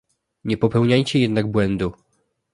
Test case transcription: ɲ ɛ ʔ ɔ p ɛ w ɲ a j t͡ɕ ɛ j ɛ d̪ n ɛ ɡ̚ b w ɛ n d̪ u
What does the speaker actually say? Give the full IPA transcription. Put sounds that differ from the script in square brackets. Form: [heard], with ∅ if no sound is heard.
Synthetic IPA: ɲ ɛ [p] ɔ p ɛ w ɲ a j t͡ɕ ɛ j ɛ d̪ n [a] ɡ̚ b w ɛ n d̪ u